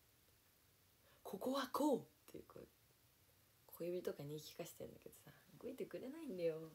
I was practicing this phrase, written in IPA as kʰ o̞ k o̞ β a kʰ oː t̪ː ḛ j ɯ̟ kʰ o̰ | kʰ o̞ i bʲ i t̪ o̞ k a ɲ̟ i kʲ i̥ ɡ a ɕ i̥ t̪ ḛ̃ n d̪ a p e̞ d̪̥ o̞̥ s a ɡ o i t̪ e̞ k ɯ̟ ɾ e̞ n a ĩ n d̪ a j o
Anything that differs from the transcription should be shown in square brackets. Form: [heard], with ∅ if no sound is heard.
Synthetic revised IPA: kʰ o̞ k o̞ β a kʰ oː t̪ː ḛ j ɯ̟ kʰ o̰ | kʰ o̞ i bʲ i t̪ o̞ k a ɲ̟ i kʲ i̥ [k] a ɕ i̥ t̪ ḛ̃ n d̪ a [k] e̞ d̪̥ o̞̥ s a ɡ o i t̪ e̞ k ɯ̟ ɾ e̞ n a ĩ n d̪ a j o